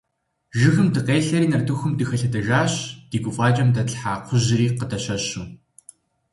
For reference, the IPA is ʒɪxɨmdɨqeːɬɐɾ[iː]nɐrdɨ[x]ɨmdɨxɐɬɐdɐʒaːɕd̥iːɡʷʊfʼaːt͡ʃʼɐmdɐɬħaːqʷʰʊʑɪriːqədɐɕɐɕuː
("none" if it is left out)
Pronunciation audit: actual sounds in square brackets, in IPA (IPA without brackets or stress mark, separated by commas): iː, x